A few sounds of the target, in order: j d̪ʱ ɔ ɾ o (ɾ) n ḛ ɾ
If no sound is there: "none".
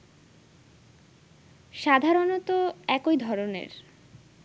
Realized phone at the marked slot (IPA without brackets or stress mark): none